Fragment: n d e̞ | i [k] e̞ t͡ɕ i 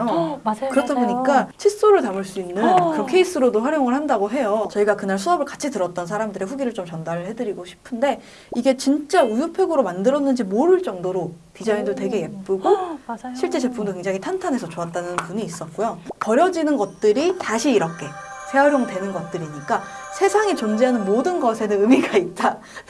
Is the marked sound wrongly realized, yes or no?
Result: yes